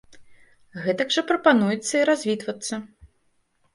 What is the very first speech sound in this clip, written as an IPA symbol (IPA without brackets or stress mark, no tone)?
ɣ